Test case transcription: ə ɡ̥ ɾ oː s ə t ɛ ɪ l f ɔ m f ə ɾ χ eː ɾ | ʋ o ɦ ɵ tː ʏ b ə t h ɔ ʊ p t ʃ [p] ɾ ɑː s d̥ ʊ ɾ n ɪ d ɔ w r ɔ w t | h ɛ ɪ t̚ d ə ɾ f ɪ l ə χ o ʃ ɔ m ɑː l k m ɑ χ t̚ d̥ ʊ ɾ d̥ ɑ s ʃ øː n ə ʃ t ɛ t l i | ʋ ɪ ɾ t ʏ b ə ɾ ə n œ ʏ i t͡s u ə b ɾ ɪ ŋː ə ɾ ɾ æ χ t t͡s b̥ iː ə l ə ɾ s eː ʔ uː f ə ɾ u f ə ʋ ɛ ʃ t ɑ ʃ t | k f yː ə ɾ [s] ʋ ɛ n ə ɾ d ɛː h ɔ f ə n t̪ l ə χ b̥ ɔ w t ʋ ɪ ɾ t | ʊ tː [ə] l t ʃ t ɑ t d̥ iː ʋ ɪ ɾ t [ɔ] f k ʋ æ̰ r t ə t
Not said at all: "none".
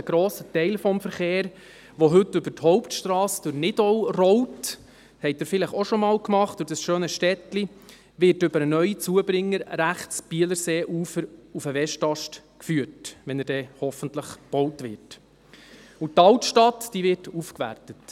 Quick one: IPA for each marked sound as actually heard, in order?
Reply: t, t, ɑ, u

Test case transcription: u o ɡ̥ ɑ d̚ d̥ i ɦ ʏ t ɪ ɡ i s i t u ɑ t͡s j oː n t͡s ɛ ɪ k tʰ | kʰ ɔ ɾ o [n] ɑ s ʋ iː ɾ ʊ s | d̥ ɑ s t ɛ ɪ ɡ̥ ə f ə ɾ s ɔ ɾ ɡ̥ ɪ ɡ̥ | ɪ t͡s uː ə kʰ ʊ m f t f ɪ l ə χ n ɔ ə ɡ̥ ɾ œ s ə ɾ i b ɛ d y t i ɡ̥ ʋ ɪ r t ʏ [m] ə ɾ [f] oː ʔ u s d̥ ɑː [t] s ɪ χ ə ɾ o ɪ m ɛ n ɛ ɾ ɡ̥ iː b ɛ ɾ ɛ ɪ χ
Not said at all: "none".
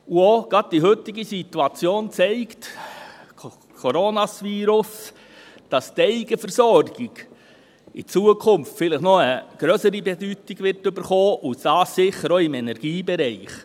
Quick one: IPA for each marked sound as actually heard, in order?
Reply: n, b, χ, s

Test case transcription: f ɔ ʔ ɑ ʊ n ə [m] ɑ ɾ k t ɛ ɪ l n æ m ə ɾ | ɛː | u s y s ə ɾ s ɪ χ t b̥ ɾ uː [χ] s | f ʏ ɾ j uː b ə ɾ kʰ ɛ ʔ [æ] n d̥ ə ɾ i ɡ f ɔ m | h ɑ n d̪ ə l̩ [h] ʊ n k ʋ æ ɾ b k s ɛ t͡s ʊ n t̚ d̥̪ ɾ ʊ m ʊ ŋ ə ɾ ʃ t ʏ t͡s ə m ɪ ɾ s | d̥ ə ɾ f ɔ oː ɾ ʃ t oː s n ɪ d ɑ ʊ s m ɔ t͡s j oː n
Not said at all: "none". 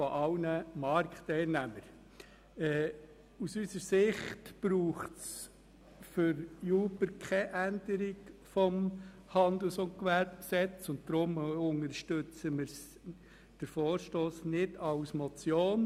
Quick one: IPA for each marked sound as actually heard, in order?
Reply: m, χ, æ, s

